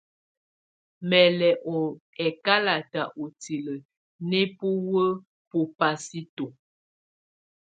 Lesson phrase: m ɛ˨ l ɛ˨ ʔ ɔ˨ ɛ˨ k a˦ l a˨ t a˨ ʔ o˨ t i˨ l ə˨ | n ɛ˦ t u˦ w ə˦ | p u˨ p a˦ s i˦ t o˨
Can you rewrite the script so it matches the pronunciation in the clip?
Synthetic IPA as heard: m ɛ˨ l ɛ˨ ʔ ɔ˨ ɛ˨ k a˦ l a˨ t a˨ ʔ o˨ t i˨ l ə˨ | n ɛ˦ p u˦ w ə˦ | p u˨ p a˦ s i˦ t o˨